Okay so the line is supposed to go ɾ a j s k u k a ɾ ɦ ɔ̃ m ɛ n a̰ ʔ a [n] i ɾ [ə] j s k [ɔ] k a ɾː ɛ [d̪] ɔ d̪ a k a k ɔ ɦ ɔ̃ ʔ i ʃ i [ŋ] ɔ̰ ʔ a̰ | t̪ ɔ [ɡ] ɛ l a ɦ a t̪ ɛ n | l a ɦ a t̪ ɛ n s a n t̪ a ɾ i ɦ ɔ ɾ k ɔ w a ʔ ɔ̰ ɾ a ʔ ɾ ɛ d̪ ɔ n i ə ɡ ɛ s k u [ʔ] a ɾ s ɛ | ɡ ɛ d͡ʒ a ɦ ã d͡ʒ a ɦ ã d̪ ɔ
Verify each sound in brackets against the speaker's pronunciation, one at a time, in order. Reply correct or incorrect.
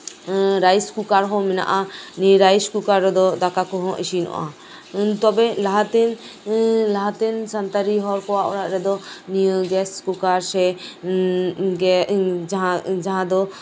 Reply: correct, incorrect, incorrect, correct, incorrect, incorrect, incorrect

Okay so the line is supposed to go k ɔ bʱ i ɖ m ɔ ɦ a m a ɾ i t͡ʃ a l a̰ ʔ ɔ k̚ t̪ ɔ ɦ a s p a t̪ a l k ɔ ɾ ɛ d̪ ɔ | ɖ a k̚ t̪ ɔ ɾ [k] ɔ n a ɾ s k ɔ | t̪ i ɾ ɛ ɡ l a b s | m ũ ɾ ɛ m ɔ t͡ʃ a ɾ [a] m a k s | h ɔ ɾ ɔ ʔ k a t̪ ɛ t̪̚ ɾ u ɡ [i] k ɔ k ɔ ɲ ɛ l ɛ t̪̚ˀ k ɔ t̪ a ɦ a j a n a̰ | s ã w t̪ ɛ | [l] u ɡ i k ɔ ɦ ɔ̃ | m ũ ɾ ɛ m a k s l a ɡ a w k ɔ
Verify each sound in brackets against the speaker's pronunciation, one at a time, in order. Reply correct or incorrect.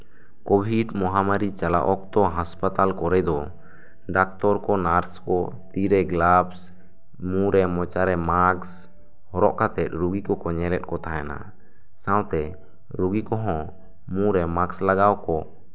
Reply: correct, incorrect, correct, incorrect

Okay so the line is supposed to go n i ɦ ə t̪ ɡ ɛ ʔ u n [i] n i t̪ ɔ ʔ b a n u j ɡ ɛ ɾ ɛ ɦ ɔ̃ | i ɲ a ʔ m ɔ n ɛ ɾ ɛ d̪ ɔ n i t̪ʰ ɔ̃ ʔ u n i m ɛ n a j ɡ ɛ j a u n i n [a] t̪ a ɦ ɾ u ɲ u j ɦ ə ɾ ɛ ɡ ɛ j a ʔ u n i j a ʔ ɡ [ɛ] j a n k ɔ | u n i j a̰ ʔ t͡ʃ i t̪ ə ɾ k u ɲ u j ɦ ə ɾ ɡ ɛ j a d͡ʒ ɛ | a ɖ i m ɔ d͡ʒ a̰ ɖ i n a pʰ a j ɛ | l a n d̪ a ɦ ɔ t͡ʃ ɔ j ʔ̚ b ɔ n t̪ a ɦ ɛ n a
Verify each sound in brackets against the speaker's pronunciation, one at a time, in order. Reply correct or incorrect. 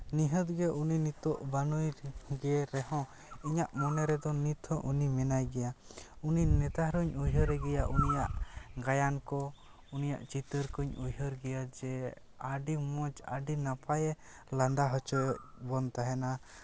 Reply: correct, incorrect, incorrect

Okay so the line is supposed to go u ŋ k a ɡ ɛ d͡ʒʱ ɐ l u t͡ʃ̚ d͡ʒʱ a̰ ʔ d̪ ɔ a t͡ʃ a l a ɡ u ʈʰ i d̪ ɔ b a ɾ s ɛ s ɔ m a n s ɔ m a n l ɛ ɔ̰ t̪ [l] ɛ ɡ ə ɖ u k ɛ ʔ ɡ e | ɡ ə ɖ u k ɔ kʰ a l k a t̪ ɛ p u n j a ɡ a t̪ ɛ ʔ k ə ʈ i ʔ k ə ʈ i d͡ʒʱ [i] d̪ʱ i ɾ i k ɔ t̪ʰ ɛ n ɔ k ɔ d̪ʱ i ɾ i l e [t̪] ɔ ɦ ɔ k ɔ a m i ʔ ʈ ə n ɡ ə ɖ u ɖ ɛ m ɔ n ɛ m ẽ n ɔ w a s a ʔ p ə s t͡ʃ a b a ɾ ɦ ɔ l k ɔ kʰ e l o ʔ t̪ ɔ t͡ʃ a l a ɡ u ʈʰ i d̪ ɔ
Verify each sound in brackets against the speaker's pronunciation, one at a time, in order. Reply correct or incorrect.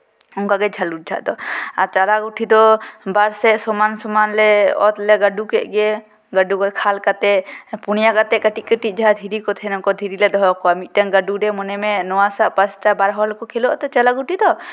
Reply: correct, incorrect, incorrect

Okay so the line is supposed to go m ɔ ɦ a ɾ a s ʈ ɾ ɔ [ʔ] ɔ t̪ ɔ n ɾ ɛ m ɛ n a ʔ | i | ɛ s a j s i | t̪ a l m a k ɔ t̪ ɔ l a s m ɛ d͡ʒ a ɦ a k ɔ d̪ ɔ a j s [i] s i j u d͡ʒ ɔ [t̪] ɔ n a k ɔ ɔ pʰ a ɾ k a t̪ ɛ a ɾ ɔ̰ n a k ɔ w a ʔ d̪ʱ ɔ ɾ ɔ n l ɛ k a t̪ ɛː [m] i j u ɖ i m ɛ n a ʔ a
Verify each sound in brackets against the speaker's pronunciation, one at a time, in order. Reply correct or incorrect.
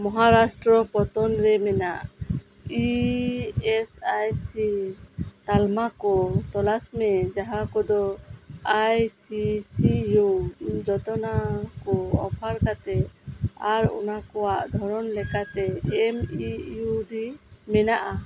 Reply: incorrect, correct, correct, correct

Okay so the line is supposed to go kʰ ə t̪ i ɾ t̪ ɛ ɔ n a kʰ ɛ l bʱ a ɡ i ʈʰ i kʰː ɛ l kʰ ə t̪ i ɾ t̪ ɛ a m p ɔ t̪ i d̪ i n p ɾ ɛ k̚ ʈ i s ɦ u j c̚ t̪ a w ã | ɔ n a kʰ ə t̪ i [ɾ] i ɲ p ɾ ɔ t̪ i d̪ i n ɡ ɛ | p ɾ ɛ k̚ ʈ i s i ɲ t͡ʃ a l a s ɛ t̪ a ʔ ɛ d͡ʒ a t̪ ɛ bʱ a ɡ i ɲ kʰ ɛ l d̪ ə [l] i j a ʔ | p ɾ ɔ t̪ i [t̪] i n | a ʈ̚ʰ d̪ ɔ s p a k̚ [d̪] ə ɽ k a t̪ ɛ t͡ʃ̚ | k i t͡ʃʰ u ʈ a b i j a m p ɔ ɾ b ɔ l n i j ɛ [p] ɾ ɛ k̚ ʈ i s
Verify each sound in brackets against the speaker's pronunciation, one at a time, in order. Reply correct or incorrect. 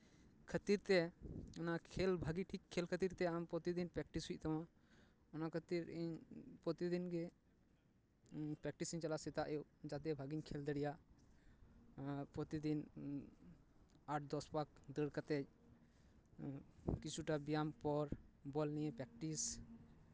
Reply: correct, incorrect, incorrect, correct, correct

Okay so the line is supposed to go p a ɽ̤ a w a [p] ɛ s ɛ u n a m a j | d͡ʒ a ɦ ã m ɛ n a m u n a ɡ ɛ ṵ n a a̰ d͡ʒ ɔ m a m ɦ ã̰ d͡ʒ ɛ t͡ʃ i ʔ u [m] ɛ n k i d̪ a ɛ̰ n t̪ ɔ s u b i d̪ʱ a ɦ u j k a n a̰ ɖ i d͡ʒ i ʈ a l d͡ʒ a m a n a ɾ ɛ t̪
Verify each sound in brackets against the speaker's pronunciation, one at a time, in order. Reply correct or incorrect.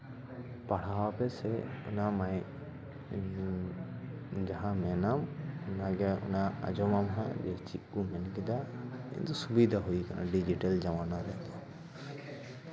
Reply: correct, correct

